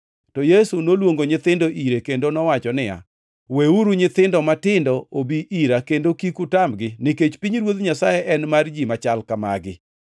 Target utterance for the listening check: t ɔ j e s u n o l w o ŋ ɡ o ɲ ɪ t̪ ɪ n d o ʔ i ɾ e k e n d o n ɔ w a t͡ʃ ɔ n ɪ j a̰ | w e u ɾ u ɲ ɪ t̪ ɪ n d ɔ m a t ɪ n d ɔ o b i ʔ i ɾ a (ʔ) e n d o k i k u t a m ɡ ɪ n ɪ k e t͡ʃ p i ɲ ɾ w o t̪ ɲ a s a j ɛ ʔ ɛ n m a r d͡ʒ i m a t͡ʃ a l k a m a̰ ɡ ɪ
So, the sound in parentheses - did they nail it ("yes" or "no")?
no